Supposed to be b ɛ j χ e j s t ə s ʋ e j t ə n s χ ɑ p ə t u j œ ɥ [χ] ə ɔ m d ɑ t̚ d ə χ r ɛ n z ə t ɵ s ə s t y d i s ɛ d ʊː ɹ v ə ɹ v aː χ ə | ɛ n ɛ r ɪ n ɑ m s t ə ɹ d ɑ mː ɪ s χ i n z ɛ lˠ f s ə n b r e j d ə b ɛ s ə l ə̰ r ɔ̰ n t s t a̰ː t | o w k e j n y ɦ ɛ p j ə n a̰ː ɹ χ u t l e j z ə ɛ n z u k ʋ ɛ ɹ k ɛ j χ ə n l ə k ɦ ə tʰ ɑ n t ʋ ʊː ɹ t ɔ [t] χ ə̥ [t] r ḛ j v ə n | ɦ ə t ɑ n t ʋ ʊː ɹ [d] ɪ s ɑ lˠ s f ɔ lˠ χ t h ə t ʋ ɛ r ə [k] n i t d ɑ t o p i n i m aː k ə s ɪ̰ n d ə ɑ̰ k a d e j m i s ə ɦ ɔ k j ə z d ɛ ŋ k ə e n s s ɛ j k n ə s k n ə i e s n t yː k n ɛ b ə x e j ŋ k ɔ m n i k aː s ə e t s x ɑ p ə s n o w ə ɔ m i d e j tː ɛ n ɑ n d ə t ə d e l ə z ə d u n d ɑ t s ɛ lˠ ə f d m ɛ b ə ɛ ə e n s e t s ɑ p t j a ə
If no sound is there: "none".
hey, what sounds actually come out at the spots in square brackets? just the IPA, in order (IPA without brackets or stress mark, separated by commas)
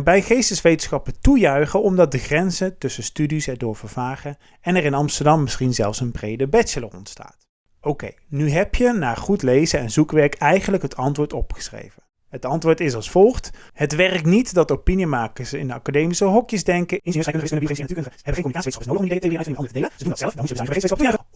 χ, p, s, t, k